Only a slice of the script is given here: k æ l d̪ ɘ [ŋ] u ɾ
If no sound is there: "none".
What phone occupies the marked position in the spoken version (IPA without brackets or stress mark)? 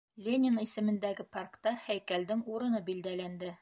ŋ